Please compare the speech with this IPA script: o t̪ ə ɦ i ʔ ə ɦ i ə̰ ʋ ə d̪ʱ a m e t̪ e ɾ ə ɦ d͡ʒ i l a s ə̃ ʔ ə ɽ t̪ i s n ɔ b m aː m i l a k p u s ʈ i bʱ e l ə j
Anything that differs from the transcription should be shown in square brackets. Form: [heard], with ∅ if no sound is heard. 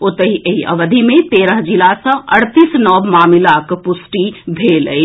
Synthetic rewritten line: o t̪ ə ɦ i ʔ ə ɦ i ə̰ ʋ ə d̪ʱ [i] m e t̪ e ɾ ə ɦ d͡ʒ i l a s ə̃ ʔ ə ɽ t̪ i s n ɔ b m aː m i l a k p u s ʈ i bʱ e l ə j

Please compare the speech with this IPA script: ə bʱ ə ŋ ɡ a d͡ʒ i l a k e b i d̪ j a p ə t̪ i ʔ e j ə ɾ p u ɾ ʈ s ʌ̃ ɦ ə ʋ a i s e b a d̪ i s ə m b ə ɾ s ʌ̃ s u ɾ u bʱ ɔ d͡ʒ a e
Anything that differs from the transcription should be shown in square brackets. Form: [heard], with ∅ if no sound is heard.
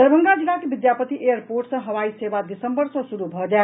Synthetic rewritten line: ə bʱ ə ŋ ɡ a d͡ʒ i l a k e b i d̪ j a p ə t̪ i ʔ e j ə ɾ p [o] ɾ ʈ s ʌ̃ ɦ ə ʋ a i s e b a d̪ i s ə m b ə ɾ s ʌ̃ s u ɾ u bʱ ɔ d͡ʒ a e

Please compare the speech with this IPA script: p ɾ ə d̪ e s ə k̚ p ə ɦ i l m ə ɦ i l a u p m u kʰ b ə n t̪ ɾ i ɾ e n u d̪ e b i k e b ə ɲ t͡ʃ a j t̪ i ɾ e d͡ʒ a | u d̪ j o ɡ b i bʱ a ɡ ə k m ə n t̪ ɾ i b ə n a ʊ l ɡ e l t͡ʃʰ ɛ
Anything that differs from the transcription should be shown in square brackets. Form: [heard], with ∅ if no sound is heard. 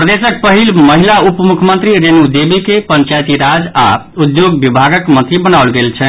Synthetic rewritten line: p ɾ ə d̪ e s ə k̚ p ə ɦ i l m ə ɦ i l a u p m u kʰ [m] ə n t̪ ɾ i ɾ e n u d̪ e b i k e [p] ə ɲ t͡ʃ a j t̪ i ɾ [a] d͡ʒ a | u d̪ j o ɡ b i bʱ a ɡ ə k m ə n t̪ ɾ i b ə n a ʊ l ɡ e l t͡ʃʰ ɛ

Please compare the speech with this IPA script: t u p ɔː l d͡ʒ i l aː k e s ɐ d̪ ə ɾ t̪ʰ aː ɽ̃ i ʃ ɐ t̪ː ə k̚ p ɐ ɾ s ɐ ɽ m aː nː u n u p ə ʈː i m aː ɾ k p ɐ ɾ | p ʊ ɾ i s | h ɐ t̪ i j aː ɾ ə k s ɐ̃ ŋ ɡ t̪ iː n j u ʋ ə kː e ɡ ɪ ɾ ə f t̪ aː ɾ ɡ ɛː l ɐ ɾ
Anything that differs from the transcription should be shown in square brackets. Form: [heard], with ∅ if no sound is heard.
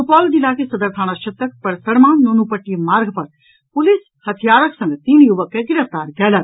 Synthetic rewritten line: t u p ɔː l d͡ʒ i l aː k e s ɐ d̪ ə ɾ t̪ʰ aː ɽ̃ [a] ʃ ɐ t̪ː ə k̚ p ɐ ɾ s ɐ ɽ m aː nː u n u p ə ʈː i m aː ɾ [ɡ] p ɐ ɾ | p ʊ [l] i s | h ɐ [t̪ʰ] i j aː ɾ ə k s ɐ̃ ŋ ɡ t̪ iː n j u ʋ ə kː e ɡ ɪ ɾ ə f t̪ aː ɾ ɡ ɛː l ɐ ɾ

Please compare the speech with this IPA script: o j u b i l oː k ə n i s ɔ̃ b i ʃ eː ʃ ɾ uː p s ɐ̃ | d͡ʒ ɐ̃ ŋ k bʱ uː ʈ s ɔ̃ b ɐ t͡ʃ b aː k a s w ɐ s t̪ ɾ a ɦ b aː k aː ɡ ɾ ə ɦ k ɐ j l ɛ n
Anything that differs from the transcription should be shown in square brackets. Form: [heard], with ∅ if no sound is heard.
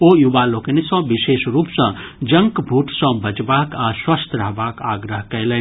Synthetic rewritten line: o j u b [a] l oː k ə n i s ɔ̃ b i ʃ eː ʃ ɾ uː p s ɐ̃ | d͡ʒ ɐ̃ ŋ k bʱ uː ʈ s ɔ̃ b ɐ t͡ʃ b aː k a s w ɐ s t̪ ɾ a ɦ b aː k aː ɡ ɾ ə ɦ k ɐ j l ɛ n

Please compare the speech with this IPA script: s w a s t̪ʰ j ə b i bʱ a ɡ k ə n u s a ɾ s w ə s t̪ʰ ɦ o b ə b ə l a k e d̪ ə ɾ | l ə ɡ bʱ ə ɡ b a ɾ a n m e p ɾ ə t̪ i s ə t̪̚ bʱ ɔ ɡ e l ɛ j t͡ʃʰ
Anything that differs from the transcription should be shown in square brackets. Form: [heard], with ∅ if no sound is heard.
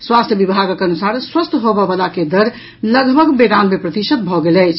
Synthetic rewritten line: s w a s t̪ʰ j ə b i bʱ a ɡ k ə n u s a ɾ s w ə s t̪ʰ ɦ o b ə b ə l a k e d̪ ə ɾ | l ə ɡ bʱ ə ɡ b [e] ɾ a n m e p ɾ ə t̪ i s ə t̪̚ bʱ ɔ ɡ e l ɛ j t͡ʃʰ

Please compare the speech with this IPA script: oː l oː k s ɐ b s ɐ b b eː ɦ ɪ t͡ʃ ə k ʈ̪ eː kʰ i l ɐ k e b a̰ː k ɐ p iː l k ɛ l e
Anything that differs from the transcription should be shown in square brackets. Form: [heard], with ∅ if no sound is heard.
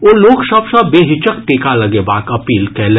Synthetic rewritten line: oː l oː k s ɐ b s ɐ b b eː ɦ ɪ t͡ʃ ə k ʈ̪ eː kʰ [a] l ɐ [ɡ] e b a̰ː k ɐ p iː l k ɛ l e

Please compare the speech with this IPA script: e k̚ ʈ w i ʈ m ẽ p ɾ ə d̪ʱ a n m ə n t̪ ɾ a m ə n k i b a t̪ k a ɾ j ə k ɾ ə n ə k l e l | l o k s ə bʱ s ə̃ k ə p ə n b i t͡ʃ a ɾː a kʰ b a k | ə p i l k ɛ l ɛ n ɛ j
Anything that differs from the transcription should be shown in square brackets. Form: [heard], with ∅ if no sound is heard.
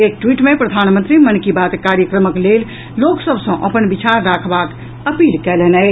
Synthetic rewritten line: e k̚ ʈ w i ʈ m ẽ p ɾ ə d̪ʱ a n m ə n t̪ ɾ [i] m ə n k i b a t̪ k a ɾ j ə k ɾ ə [m] ə k l e l | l o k s ə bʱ s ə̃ [ʔ] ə p ə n b i t͡ʃ a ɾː a kʰ b a k | ə p i l k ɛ l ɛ n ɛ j

